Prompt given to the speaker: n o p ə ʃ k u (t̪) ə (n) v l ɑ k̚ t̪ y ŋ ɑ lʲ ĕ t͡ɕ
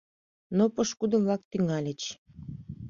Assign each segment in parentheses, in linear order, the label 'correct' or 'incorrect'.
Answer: incorrect, incorrect

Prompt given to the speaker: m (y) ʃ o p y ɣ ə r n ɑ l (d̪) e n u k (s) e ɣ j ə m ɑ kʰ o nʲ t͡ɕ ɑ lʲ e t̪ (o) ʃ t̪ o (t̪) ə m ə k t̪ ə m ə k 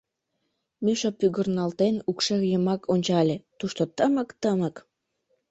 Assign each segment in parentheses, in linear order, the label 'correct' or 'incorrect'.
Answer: correct, incorrect, incorrect, incorrect, correct

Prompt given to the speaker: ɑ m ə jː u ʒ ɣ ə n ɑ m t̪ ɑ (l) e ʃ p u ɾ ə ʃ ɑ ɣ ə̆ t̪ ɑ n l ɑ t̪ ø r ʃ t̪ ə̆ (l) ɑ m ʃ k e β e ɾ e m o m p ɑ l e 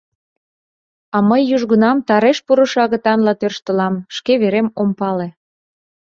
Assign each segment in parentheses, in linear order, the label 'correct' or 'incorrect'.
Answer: incorrect, correct

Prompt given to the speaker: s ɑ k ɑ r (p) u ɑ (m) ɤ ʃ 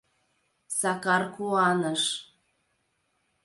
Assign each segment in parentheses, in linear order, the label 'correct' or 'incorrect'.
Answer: incorrect, incorrect

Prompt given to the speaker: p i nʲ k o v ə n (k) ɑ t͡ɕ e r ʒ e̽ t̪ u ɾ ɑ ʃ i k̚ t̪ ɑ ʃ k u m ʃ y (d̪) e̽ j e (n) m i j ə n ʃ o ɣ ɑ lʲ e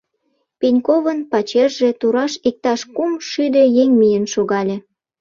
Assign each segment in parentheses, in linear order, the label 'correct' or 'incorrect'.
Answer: incorrect, correct, incorrect

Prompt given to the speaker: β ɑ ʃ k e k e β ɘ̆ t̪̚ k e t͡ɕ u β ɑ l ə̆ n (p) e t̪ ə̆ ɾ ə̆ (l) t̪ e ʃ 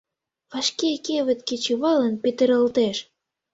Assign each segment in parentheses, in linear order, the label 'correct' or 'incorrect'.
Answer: correct, correct

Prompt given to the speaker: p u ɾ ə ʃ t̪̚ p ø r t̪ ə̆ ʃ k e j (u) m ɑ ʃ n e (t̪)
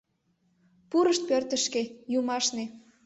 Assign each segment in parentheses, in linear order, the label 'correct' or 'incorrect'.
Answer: correct, incorrect

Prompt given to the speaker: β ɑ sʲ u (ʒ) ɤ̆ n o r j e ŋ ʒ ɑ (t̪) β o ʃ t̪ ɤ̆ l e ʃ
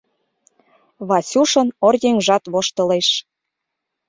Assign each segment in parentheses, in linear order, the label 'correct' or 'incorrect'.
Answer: incorrect, correct

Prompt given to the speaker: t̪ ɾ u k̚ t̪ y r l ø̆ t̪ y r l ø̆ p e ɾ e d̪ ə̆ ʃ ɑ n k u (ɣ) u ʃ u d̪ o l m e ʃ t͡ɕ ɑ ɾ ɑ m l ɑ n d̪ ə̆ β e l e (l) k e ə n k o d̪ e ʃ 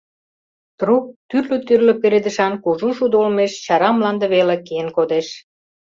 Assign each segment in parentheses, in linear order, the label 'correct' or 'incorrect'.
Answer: incorrect, incorrect

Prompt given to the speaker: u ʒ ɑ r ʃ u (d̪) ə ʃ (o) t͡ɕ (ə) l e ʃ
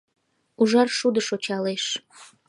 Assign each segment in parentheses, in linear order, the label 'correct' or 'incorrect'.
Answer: correct, correct, incorrect

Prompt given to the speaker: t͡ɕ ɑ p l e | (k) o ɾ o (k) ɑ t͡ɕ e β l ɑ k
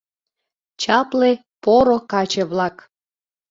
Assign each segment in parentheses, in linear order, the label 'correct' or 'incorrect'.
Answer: incorrect, correct

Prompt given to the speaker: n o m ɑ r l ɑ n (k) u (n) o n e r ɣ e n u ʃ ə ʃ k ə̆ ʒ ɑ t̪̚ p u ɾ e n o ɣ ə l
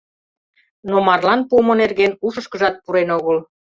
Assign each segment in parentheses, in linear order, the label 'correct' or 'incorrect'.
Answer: incorrect, incorrect

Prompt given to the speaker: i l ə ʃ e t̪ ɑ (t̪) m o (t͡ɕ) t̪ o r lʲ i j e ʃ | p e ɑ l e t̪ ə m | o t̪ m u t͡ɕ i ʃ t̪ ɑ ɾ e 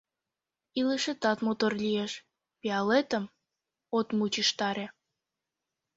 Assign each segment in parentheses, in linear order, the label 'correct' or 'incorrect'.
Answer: correct, incorrect

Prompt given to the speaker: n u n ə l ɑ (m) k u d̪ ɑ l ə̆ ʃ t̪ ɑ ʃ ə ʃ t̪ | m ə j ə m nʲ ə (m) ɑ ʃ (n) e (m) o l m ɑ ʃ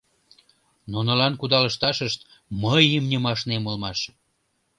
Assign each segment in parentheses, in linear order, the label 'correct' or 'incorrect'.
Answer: incorrect, correct, correct, correct

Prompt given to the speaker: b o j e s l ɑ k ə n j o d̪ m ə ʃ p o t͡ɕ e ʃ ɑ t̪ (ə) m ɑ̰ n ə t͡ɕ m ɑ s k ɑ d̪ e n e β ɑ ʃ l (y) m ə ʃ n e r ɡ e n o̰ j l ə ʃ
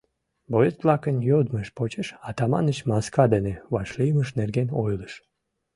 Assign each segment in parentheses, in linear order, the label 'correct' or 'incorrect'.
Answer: incorrect, incorrect

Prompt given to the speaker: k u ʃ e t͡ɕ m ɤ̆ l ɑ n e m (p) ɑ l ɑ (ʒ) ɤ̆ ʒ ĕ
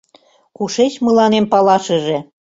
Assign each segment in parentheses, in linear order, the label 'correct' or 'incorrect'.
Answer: correct, incorrect

